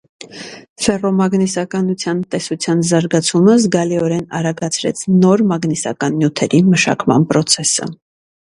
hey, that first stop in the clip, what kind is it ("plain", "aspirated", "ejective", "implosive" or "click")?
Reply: plain